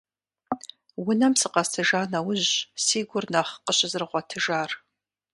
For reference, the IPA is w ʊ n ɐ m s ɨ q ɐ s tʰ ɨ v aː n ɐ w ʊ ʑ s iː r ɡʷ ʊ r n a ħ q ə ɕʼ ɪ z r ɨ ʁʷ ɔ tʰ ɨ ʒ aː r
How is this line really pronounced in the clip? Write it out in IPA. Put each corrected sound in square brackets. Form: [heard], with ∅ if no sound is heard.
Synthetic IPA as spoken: w ʊ n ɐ m s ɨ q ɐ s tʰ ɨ [ʒ] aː n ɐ w ʊ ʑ s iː [∅] ɡʷ ʊ r n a [χ] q ə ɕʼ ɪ z r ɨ ʁʷ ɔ tʰ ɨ ʒ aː r